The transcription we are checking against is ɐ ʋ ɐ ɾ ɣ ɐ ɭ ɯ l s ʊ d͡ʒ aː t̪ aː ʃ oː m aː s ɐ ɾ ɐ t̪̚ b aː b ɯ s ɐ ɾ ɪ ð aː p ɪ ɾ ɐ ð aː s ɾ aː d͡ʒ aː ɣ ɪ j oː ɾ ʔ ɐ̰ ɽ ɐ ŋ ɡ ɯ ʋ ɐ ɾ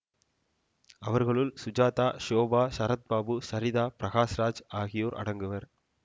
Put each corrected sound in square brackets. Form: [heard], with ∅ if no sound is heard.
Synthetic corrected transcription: ɐ ʋ ɐ ɾ ɣ ɐ ɭ ɯ l s ʊ d͡ʒ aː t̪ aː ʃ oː [b] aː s ɐ ɾ ɐ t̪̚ b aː b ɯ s ɐ ɾ ɪ ð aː p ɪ ɾ ɐ [ɣ] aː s ɾ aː d͡ʒ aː ɣ ɪ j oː ɾ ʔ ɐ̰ ɽ ɐ ŋ ɡ ɯ ʋ ɐ ɾ

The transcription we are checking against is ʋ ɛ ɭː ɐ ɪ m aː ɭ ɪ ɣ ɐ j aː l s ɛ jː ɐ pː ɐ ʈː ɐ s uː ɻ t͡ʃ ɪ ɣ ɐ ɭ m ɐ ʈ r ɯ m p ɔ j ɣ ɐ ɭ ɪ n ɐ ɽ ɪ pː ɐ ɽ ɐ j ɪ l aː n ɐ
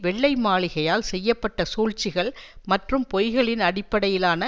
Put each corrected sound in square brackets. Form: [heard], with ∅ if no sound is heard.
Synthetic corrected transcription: ʋ ɛ ɭː ɐ ɪ m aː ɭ ɪ ɣ ɐ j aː l s ɛ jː ɐ pː ɐ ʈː ɐ s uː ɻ t͡ʃ ɪ ɣ ɐ ɭ m ɐ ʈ r ɯ m p ɔ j ɣ ɐ ɭ ɪ n ɐ ɽ ɪ pː ɐ ɽ ɐ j ɪ l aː n ɐ

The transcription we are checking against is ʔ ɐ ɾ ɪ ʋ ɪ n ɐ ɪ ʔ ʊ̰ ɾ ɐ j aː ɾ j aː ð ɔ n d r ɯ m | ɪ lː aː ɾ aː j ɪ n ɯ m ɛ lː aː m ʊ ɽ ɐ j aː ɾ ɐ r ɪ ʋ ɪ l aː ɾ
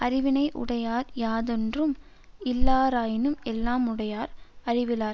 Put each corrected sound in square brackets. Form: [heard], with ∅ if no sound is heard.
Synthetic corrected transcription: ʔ ɐ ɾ ɪ ʋ ɪ n ɐ ɪ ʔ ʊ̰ [ɽ] ɐ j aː ɾ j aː ð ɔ n d r ɯ m | ɪ lː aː ɾ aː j ɪ n ɯ m ɛ lː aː m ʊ ɽ ɐ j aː ɾ ɐ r ɪ ʋ ɪ l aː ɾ

